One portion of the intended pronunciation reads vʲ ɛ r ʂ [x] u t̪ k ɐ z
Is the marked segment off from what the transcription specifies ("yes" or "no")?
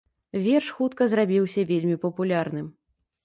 no